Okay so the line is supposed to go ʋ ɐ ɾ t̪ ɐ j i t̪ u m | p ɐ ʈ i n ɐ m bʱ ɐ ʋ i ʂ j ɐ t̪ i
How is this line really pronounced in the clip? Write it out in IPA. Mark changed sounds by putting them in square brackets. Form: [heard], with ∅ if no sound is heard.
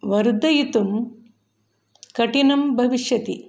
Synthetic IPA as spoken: ʋ ɐ ɾ [d̪] ɐ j i t̪ u m | [k] ɐ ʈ i n ɐ m bʱ ɐ ʋ i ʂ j ɐ t̪ i